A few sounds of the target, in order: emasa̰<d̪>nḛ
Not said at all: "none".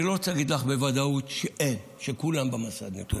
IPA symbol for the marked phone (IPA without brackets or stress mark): d̪